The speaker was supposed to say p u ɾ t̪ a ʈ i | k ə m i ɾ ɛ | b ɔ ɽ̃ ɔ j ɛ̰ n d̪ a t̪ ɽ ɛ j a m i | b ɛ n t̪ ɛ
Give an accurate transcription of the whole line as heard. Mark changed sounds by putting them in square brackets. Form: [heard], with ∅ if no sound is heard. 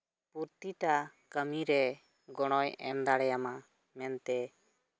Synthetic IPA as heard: p u ɾ t̪ [i] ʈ [a] | k ə m i ɾ ɛ | [ɡ] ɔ ɽ̃ ɔ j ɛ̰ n d̪ a [∅] ɽ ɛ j a m [a] | [m] ɛ n t̪ ɛ